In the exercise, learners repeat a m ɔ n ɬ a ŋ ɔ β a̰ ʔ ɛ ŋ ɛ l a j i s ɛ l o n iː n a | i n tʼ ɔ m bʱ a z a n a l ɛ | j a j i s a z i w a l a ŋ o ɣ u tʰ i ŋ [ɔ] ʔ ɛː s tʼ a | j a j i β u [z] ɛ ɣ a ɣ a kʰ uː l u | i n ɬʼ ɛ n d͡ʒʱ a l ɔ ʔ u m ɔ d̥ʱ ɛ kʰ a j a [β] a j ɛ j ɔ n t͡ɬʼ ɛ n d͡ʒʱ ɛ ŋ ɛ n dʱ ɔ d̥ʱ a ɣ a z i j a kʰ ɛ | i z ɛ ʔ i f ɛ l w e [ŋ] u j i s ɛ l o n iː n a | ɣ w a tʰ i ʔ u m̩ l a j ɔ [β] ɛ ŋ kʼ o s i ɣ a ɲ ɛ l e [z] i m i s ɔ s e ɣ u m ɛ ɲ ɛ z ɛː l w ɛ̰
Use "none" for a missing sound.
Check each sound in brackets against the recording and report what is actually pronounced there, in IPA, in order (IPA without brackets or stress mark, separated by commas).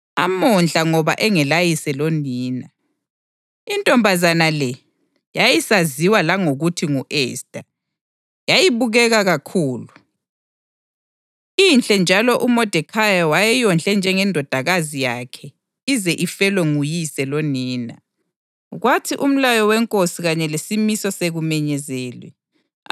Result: u, ɣ, w, ŋ, w, s